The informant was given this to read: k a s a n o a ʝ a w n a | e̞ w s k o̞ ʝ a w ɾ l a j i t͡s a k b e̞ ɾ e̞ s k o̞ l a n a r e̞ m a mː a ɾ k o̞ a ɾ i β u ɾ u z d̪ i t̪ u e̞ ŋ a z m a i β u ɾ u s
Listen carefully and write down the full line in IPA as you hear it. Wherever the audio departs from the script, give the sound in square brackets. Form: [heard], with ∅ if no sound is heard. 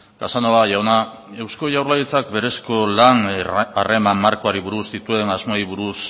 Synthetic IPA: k a s a n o a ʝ a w n a | e̞ w s k o̞ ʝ a w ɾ l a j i t͡s a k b e̞ ɾ e̞ s k o̞ l a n a r e̞ m a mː a ɾ k o̞ a ɾ i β u ɾ u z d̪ i t̪ u e̞ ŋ a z m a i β u ɾ u s